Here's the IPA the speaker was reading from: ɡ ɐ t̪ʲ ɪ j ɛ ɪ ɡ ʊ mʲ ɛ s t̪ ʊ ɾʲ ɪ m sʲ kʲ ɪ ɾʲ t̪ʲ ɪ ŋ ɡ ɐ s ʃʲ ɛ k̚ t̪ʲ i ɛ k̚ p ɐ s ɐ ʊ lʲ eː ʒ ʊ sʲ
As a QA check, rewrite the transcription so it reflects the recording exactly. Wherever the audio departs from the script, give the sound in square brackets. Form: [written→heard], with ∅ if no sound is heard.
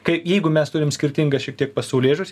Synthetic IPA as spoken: [ɡ→k] ɐ [t̪ʲ→∅] ɪ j ɛ ɪ ɡ ʊ mʲ ɛ s t̪ ʊ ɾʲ ɪ m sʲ kʲ ɪ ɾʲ t̪ʲ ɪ ŋ ɡ ɐ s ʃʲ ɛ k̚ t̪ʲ i ɛ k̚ p ɐ s ɐ ʊ lʲ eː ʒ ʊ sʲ

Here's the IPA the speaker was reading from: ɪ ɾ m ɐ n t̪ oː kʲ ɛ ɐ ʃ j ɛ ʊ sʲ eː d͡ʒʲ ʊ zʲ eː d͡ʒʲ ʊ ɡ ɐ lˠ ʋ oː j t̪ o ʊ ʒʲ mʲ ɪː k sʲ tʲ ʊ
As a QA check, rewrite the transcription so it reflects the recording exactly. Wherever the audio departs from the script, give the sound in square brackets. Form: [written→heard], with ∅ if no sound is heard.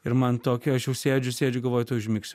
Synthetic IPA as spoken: ɪ ɾ m ɐ n t̪ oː kʲ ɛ ɐ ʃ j ɛ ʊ sʲ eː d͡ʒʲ ʊ [zʲ→sʲ] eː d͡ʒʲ ʊ ɡ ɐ lˠ ʋ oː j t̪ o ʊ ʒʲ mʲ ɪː k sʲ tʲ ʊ

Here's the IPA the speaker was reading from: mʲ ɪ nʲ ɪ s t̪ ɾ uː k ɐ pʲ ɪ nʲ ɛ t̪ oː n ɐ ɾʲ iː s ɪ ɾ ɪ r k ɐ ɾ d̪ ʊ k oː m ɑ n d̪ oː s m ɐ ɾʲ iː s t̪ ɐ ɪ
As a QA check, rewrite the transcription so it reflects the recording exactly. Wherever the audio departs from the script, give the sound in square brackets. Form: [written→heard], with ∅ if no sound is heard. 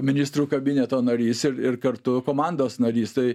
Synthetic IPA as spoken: mʲ ɪ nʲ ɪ s t̪ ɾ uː k ɐ [pʲ→bʲ] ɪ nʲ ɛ t̪ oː n ɐ ɾʲ iː s ɪ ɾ ɪ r k ɐ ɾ [d̪→t̪] ʊ k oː m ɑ n d̪ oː s [m→n] ɐ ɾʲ iː s t̪ ɐ ɪ

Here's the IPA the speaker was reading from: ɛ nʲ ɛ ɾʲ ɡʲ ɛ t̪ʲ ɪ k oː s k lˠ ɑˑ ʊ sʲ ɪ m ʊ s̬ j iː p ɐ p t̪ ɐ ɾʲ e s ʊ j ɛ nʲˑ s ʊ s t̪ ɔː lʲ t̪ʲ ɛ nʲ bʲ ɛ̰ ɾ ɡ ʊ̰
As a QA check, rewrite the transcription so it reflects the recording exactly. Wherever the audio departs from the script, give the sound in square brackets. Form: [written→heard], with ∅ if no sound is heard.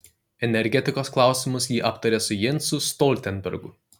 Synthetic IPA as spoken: ɛ nʲ ɛ ɾʲ ɡʲ ɛ t̪ʲ ɪ k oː s k lˠ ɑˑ ʊ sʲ ɪ m ʊ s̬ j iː [p→ʔ] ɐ p t̪ ɐ ɾʲ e s ʊ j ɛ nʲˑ s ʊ s t̪ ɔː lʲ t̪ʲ ɛ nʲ bʲ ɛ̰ ɾ ɡ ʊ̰

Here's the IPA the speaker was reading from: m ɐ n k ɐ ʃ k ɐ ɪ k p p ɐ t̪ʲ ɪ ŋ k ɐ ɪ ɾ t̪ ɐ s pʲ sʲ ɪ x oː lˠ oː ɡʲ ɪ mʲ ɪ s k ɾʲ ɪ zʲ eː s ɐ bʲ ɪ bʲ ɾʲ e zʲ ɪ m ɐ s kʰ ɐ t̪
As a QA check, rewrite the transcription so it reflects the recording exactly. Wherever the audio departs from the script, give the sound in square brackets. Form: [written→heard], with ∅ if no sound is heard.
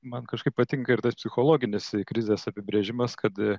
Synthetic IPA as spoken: m ɐ n k ɐ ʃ k ɐ ɪ [k→∅] p p ɐ t̪ʲ ɪ ŋ k ɐ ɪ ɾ t̪ ɐ s pʲ sʲ ɪ x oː lˠ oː ɡʲ ɪ [mʲ→nʲ] ɪ s k ɾʲ ɪ zʲ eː s ɐ [bʲ→pʲ] ɪ bʲ ɾʲ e [zʲ→ʒʲ] ɪ m ɐ s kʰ ɐ t̪

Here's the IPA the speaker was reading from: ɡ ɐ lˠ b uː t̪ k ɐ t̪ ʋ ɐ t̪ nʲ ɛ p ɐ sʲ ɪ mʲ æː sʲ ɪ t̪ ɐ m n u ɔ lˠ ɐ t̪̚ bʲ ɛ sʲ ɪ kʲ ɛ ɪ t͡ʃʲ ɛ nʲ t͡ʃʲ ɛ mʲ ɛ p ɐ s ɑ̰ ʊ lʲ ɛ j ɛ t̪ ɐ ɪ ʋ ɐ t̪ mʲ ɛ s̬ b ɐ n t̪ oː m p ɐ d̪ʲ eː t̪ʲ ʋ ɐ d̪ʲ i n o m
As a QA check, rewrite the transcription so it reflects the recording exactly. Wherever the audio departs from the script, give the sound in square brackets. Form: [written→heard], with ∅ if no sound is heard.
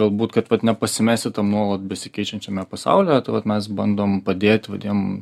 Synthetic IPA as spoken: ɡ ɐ lˠ b uː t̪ k ɐ t̪ ʋ ɐ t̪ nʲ ɛ p ɐ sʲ ɪ mʲ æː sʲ ɪ t̪ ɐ m n u ɔ lˠ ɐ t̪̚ bʲ ɛ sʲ ɪ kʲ ɛ ɪ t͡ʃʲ ɛ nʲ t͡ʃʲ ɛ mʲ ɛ p ɐ s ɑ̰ ʊ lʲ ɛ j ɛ t̪ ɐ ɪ ʋ ɐ t̪ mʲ ɛ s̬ b ɐ n [t̪→d̪] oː m p ɐ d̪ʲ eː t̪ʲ ʋ ɐ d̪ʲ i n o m

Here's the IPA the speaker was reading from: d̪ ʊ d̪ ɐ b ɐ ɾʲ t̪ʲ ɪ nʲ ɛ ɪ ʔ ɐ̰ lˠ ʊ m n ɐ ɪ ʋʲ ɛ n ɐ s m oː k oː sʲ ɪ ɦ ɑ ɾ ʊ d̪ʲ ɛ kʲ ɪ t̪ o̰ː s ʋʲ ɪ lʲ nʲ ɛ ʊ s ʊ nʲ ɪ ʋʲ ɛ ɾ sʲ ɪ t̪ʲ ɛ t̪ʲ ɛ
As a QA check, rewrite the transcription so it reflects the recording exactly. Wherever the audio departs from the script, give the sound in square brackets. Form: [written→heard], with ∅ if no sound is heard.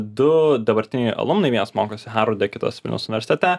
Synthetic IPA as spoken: d̪ ʊ d̪ ɐ b ɐ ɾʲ t̪ʲ ɪ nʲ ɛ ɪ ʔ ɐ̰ lˠ ʊ m n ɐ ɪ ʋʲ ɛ n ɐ s m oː k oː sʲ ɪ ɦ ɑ ɾ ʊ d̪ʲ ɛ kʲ ɪ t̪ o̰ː s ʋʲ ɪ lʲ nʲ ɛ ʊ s ʊ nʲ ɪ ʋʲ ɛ ɾ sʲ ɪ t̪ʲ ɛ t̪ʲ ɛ

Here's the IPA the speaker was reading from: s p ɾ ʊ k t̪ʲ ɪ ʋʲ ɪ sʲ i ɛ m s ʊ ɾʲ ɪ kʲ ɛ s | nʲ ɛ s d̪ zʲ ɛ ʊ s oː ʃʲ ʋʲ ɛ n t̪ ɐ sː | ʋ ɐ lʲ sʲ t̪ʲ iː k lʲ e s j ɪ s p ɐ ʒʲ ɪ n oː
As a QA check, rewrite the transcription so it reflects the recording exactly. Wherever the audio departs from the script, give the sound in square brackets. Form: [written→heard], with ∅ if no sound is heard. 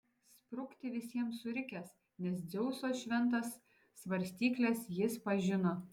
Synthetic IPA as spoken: s p ɾ ʊ k t̪ʲ ɪ ʋʲ ɪ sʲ i ɛ m s ʊ ɾʲ ɪ kʲ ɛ s | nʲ ɛ s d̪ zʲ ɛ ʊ s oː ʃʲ ʋʲ ɛ n t̪ ɐ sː | ʋ ɐ [lʲ→ɾʲ] sʲ t̪ʲ iː k lʲ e s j ɪ s p ɐ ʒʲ ɪ n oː

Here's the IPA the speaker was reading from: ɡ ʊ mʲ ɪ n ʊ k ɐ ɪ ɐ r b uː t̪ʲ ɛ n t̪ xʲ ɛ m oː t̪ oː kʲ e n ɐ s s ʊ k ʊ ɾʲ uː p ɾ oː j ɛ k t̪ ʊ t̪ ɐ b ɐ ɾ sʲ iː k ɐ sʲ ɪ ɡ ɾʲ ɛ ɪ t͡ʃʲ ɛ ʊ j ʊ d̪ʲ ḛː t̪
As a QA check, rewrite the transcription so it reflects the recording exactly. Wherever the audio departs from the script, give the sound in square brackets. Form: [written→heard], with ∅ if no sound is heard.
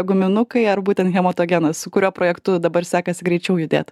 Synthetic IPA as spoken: ɡ ʊ mʲ ɪ n ʊ k ɐ ɪ ɐ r b uː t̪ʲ ɛ n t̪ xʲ ɛ m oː t̪ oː [kʲ→ɡʲ] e n ɐ s s ʊ k ʊ ɾʲ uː p ɾ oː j ɛ k t̪ ʊ [t̪→d̪] ɐ b ɐ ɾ sʲ [iː→æː] k ɐ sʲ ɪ ɡ ɾʲ ɛ ɪ t͡ʃʲ ɛ ʊ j ʊ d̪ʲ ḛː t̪

